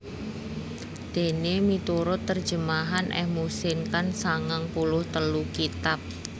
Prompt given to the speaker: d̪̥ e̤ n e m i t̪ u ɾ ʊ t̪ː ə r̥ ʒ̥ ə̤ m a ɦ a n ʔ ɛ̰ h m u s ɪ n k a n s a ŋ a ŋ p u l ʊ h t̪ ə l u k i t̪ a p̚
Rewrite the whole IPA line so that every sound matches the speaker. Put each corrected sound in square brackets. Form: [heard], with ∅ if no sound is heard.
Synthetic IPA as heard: d̪̥ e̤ n e m i t̪ u ɾ ʊ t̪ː ə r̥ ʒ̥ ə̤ m a ɦ a n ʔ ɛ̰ h m u s ɪ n k a n s a ŋ a ŋ p u l ʊ h t̪ ə l u k i t̪ a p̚

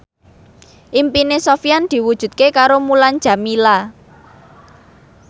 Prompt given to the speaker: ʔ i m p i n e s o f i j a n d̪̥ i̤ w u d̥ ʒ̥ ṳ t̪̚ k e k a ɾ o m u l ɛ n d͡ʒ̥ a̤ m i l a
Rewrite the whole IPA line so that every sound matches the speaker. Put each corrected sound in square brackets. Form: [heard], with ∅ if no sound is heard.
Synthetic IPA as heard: ʔ i m p i n e s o f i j a n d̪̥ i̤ w u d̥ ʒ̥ ṳ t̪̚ k e k a ɾ o m u l [a] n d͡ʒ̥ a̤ m i l a

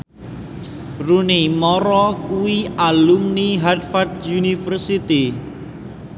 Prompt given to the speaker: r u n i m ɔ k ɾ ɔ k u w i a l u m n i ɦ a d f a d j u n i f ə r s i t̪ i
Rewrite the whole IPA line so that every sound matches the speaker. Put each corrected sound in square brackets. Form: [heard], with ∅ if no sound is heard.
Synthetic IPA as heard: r u n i m ɔ [∅] ɾ ɔ k u w i a l u m n i ɦ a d f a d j u n i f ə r s i t̪ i

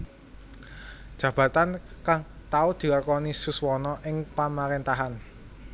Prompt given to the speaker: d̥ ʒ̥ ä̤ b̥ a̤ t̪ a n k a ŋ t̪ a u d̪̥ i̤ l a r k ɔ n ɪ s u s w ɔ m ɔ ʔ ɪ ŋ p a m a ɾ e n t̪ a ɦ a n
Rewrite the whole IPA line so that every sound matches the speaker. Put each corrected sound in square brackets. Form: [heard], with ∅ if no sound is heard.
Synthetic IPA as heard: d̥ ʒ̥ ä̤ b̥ a̤ t̪ a n k a ŋ t̪ a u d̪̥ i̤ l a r k ɔ n [i] s u s w ɔ [n] ɔ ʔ ɪ ŋ p a m a ɾ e n t̪ a ɦ a n

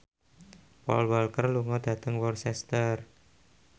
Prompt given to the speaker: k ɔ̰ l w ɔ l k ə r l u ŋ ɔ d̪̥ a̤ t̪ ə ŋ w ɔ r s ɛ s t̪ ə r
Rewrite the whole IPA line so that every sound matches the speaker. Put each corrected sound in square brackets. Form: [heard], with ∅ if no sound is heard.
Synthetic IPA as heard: [p] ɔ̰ l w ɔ l k ə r l u ŋ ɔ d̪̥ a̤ t̪ ə ŋ w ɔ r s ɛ s t̪ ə r

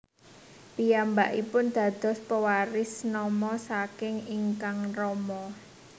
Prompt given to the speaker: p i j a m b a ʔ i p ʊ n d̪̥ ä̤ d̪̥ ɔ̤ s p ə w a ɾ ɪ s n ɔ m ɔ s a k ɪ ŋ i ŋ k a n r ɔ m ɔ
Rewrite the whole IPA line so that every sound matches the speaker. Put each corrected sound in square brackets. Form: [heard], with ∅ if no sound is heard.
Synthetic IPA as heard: p i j a m b a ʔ i p ʊ n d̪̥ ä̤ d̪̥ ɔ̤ s p ə w a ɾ ɪ s n ɔ m ɔ s a k ɪ ŋ i ŋ k a [ŋ] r ɔ m ɔ

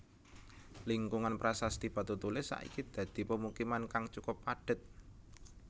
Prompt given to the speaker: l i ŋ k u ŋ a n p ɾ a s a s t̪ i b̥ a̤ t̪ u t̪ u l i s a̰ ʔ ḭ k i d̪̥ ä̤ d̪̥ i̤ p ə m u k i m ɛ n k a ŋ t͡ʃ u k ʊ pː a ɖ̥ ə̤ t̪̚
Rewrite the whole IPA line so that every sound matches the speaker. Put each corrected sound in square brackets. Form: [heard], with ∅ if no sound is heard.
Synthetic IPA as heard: l i ŋ k u ŋ a n p ɾ a s a s t̪ i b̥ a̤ t̪ u t̪ u l [ɪ] s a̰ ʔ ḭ k i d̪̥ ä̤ d̪̥ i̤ p ə m u k i m [a] n k a ŋ t͡ʃ u k ʊ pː a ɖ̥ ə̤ t̪̚

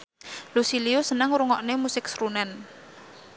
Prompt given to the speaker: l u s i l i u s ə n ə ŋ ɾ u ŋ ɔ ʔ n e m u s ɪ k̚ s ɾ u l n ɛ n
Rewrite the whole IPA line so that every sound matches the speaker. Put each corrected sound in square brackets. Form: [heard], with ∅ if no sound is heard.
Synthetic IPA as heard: l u s i l i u s ə n ə ŋ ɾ u ŋ ɔ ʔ n e m u s ɪ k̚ s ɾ u [∅] n ɛ n

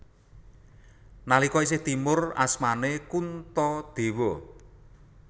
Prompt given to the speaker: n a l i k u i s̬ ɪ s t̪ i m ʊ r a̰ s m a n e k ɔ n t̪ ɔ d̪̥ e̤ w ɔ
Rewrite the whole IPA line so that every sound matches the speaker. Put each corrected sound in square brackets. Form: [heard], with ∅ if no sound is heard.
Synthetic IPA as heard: n a l i k [ɔ] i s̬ ɪ [h] t̪ i m ʊ r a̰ s m a n e k [u] n t̪ ɔ d̪̥ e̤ w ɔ

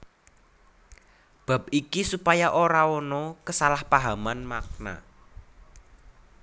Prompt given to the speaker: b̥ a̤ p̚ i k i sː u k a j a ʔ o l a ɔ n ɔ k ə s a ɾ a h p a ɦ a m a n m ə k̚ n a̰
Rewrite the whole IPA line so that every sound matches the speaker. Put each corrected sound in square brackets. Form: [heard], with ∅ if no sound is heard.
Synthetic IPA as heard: b̥ a̤ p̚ i k i [s] u [p] a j a ʔ o [ɾ] a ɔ n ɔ k ə s a [l] a h p a ɦ a m a n m [a] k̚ n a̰

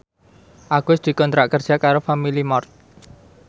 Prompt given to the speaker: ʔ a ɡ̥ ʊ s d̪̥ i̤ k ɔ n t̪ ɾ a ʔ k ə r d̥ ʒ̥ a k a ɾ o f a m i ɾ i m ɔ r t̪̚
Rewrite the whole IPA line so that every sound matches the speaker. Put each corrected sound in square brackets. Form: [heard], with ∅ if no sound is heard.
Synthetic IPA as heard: ʔ a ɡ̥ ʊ s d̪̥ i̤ k ɔ n t̪ ɾ a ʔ k ə r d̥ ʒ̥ a k a ɾ o f a m i [l] i m ɔ r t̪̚

